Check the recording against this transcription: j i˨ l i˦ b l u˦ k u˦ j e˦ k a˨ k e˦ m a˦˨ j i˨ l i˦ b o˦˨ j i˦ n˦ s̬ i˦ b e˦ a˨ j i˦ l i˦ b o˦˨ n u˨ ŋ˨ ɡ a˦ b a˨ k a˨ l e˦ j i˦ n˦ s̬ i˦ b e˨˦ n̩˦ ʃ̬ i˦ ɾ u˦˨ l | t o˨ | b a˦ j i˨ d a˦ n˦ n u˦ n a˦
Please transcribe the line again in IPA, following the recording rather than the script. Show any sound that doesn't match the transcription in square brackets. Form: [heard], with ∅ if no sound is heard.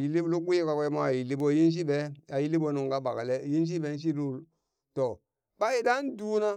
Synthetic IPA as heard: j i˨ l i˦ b l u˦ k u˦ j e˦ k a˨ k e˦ m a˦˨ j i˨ l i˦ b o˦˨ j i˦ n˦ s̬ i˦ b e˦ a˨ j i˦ l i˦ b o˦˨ n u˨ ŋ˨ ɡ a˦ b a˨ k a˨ l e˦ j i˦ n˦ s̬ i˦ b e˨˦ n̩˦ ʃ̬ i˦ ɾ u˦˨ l | t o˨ | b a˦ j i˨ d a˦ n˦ [d] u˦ n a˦